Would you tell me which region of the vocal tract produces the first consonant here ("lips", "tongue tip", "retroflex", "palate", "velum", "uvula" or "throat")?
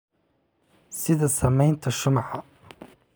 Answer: tongue tip